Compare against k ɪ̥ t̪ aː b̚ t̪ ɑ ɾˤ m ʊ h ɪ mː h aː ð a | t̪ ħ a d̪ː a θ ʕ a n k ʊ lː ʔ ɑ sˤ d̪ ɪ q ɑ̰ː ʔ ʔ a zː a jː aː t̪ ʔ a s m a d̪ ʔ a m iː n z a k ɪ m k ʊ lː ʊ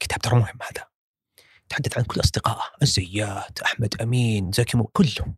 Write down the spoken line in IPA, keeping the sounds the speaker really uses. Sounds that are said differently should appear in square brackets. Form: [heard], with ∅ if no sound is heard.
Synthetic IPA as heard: k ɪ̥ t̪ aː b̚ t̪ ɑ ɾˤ m ʊ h ɪ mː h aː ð a | t̪ ħ a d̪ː a θ ʕ a n k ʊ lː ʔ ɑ sˤ d̪ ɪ q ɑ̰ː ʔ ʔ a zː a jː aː t̪ ʔ a [ħ] m a d̪ ʔ a m iː n z a k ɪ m k ʊ lː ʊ